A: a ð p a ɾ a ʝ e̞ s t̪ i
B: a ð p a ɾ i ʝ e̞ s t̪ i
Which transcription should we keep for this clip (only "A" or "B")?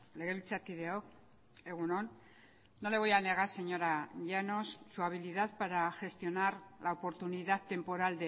A